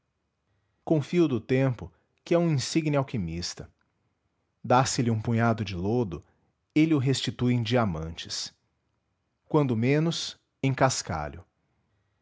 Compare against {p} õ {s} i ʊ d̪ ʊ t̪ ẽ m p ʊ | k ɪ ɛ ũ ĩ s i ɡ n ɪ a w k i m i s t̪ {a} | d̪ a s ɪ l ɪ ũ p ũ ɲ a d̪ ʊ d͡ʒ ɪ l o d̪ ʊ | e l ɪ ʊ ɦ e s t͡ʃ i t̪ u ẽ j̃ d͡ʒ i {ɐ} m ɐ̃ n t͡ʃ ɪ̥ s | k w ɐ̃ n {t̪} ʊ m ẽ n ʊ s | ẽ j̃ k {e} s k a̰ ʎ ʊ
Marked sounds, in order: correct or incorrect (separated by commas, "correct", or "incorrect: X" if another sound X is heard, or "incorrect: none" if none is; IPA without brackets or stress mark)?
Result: incorrect: k, incorrect: f, incorrect: ɐ, incorrect: a, incorrect: d̪, incorrect: a